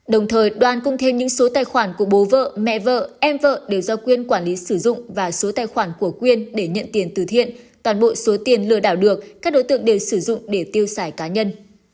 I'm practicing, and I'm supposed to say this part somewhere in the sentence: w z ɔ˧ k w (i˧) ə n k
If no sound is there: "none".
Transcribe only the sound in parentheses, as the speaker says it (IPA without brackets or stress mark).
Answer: i˧